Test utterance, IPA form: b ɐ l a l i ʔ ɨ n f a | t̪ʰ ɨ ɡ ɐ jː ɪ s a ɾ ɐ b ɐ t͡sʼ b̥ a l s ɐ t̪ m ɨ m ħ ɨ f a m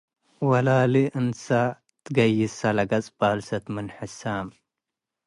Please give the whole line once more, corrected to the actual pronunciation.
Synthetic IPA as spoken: w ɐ l a l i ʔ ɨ n s a | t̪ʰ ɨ ɡ ɐ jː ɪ s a l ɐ ɡ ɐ t͡sʼ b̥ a l s ɐ t̪ m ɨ n ħ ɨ s a m